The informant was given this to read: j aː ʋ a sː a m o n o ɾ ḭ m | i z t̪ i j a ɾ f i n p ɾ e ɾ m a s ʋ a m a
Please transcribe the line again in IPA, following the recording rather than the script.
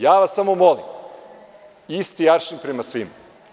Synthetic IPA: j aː ʋ a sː a m o m o l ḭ m | i s t̪ i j a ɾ ʃ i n p ɾ e m a s ʋ i m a